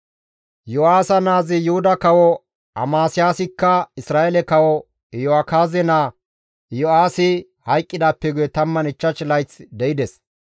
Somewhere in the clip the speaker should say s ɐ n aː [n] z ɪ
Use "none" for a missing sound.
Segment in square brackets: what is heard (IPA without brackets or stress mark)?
none